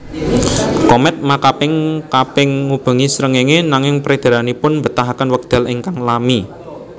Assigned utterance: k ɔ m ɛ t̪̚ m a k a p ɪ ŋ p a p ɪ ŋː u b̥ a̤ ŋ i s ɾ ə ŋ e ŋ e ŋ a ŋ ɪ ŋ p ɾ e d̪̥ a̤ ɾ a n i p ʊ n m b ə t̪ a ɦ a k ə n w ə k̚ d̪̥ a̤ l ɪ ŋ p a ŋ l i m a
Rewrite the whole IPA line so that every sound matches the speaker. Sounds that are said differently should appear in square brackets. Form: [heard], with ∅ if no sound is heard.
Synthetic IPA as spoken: k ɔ m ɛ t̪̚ m a k a p ɪ ŋ [k] a p ɪ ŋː u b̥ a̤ ŋ i s ɾ ə ŋ e ŋ e [n] a ŋ ɪ ŋ p ɾ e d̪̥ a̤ ɾ a n i p ʊ n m b ə t̪ a ɦ a k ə n w ə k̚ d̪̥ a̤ l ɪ ŋ [k] a ŋ l [a] m [i]

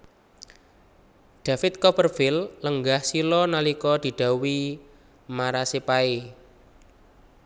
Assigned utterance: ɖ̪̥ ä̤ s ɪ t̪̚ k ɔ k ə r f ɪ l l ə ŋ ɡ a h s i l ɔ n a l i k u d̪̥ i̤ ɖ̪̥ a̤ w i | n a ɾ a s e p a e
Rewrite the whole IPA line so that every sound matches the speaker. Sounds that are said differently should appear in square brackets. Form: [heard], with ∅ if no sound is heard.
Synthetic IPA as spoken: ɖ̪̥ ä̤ [f] ɪ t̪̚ k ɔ [p] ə r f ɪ l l ə ŋ ɡ a h s i l ɔ n a l i k [ɔ] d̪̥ i̤ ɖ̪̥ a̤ w i | [m] a ɾ a s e p a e

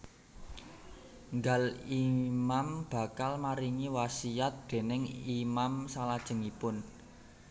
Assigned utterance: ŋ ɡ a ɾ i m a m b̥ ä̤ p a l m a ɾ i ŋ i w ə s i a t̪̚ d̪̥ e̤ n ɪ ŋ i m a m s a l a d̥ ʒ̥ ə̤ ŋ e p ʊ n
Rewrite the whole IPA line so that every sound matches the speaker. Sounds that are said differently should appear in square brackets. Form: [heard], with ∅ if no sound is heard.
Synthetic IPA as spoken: ŋ ɡ a [l] i m a m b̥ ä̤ [k] a l m a ɾ i ŋ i w [a] s i a t̪̚ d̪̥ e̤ n ɪ ŋ i m a m s a l a d̥ ʒ̥ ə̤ ŋ [i] p ʊ n

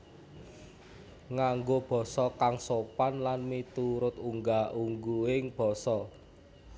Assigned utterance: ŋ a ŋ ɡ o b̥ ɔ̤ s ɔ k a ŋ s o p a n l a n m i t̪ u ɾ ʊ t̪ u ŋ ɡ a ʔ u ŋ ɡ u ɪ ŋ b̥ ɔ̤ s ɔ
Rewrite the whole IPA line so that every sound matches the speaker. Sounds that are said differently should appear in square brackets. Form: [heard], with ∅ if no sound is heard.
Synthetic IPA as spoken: ŋ a ŋ ɡ o b̥ ɔ̤ s ɔ k a ŋ s o p a n l a n m i t̪ u ɾ ʊ t̪ u ŋ ɡ a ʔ u ŋ ɡ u ɪ ŋ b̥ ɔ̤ s ɔ

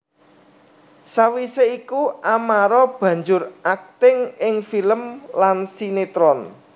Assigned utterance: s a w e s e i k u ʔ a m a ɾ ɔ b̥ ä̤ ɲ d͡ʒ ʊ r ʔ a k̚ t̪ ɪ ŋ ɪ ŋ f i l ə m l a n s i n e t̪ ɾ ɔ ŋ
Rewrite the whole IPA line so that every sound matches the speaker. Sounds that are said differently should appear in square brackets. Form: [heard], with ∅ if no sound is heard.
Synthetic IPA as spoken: s a w [i] s e i k u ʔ a m a ɾ ɔ b̥ ä̤ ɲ d͡ʒ ʊ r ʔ a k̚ t̪ ɪ ŋ ɪ ŋ f i l ə m l a n s i n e t̪ ɾ ɔ [n]

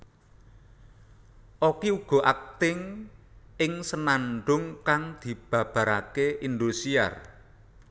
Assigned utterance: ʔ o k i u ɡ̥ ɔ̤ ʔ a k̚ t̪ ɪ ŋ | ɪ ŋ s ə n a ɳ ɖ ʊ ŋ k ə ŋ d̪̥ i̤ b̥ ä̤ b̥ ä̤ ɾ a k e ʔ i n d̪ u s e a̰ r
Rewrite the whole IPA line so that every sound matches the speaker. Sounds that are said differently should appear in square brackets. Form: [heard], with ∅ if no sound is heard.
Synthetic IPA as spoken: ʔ o k i u ɡ̥ ɔ̤ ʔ a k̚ t̪ ɪ ŋ | ɪ ŋ s ə n a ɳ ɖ ʊ ŋ k [a] ŋ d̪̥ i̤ b̥ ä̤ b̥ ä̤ ɾ a k e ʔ i n d̪ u s [i] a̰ r

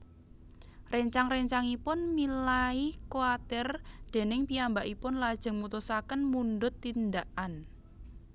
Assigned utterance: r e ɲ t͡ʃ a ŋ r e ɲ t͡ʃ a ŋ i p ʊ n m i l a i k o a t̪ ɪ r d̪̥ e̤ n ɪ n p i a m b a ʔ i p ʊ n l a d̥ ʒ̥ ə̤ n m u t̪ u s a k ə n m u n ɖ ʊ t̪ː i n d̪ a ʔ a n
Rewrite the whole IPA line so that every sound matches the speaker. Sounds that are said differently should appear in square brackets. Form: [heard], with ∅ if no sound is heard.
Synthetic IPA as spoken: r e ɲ t͡ʃ a ŋ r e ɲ t͡ʃ a ŋ i p ʊ n m i l a i k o a t̪ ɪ r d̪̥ e̤ n ɪ [ŋ] p i a m b a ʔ i p ʊ n l a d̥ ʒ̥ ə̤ [ŋ] m u t̪ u s a k ə n m u n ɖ ʊ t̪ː i n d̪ a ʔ a n

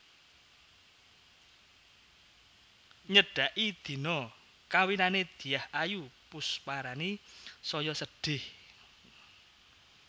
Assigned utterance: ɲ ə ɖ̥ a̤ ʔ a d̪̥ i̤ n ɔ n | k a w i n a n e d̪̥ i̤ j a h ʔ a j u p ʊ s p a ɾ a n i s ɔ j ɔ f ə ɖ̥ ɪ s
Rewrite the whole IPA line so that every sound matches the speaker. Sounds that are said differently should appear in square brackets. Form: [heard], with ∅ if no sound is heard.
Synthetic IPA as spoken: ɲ ə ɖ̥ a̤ ʔ [i] d̪̥ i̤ n ɔ [∅] | k a w i n a n e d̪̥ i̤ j a h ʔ a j u p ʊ s p a ɾ a n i s ɔ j ɔ [s] ə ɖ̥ ɪ [h]

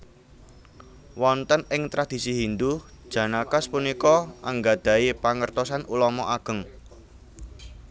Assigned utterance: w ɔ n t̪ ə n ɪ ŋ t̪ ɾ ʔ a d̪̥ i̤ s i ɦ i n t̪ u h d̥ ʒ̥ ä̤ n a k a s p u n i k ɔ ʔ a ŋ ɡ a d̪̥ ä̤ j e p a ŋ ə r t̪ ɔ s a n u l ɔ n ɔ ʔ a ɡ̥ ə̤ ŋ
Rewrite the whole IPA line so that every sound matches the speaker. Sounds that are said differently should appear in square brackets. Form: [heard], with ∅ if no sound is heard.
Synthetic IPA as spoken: w ɔ n t̪ ə n ɪ ŋ t̪ ɾ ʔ a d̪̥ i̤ s i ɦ i n [d̪] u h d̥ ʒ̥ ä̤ n a k a s p u n i k ɔ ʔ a ŋ ɡ a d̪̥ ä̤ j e p a ŋ ə r t̪ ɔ s a n u l ɔ [m] ɔ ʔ a ɡ̥ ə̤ ŋ

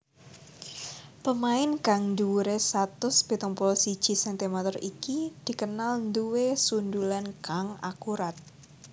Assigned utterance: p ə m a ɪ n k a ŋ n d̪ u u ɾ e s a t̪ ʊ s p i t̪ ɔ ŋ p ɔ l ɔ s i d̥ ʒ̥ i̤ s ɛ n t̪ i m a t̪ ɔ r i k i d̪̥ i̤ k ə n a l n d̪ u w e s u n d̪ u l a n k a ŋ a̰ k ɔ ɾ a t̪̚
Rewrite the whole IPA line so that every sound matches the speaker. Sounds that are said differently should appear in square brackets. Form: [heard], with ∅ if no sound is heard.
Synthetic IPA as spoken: p ə m a ɪ n k a ŋ n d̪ u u ɾ e s a t̪ ʊ s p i t̪ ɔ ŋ p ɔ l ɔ s i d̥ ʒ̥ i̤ s ɛ n t̪ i m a t̪ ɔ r i k i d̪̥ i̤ k ə n a l n d̪ u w e s u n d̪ u l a n k a ŋ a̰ k [u] ɾ a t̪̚

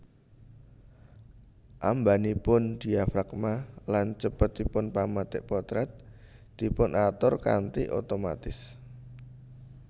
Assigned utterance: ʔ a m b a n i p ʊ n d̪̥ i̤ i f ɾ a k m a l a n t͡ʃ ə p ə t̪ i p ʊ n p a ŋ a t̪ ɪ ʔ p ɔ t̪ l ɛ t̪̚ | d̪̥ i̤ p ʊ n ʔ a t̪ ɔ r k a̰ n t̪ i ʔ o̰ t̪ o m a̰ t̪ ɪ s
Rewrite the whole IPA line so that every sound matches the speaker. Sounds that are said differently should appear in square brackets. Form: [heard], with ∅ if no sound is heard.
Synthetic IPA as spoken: ʔ a m b a n i p ʊ n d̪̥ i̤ [a] f ɾ a k m a l a n t͡ʃ ə p ə t̪ i p ʊ n p a [m] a t̪ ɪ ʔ p ɔ t̪ [ɾ] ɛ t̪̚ | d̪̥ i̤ p ʊ n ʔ a t̪ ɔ r k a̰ n t̪ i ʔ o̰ t̪ o m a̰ t̪ ɪ s

